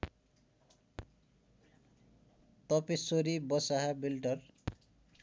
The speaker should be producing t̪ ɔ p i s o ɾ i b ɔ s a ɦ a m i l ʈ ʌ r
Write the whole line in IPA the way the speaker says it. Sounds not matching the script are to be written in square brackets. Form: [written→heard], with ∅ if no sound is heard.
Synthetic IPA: t̪ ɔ p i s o ɾ i b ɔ s a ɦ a [m→b] i l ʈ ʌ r